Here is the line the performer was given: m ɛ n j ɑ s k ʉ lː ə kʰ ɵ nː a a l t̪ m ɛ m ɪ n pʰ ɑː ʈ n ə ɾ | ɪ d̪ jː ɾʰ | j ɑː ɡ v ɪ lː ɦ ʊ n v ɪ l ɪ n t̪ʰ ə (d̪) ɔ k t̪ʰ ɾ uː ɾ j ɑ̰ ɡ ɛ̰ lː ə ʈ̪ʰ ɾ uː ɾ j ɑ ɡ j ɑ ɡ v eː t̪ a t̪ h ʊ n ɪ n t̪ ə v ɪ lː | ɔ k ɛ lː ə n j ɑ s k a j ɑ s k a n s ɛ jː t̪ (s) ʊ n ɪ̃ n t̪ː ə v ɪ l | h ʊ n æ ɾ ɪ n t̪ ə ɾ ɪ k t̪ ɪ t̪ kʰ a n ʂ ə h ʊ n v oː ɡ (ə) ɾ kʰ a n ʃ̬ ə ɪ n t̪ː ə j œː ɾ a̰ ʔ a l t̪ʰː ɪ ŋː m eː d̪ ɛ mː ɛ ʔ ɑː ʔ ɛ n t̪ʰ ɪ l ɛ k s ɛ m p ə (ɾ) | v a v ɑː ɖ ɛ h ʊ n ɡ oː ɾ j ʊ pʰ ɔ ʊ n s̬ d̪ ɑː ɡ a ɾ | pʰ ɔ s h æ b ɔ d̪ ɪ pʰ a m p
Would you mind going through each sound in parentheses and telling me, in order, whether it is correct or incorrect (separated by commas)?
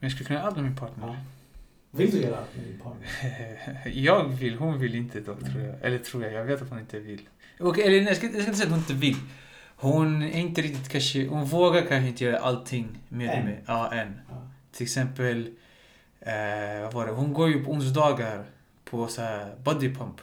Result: correct, incorrect, incorrect, incorrect